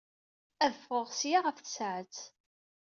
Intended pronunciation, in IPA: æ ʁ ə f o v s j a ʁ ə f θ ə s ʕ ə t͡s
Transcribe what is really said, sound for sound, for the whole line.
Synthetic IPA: æ ð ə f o ʁ s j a ʁ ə f θ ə s ʕ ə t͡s